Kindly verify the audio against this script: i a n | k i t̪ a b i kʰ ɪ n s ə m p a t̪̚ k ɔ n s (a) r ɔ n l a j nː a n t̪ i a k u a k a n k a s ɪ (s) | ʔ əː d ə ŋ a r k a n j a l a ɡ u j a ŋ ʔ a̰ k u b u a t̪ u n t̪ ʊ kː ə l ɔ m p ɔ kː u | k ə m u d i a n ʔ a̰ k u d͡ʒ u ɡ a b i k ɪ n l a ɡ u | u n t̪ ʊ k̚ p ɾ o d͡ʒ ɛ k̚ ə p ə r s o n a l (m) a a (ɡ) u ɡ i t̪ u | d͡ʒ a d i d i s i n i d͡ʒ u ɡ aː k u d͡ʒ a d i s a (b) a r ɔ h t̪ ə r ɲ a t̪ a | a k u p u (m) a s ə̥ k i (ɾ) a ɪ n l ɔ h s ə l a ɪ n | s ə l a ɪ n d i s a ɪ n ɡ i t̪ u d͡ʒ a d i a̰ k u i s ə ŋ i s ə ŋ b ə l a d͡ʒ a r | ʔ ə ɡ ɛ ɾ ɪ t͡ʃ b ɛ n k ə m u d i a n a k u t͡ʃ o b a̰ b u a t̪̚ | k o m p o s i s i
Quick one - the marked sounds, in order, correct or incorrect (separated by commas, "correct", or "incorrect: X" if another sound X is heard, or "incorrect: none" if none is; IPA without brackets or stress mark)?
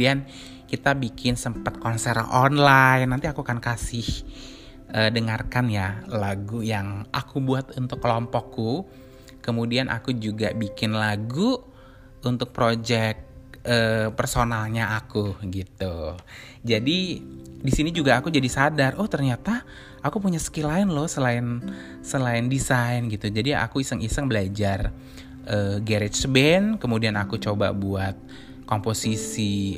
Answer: incorrect: ɛ, incorrect: h, incorrect: ɲ, incorrect: k, incorrect: d, incorrect: ɲ, incorrect: l